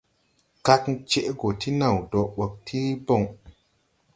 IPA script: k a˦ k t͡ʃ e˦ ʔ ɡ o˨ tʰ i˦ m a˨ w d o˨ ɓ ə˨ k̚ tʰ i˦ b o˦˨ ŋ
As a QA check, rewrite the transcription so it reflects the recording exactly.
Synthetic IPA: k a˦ k t͡ʃ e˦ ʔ ɡ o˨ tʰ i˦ n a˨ w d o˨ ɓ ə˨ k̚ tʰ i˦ b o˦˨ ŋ